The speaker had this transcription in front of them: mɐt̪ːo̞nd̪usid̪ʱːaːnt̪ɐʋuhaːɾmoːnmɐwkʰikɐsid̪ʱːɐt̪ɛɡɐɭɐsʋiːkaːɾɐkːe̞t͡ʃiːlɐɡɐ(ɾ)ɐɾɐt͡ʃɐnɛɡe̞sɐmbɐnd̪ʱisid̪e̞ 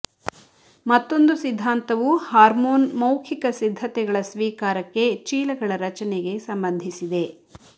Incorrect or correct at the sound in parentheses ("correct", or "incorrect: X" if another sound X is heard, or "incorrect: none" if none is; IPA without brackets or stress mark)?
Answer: incorrect: ɭ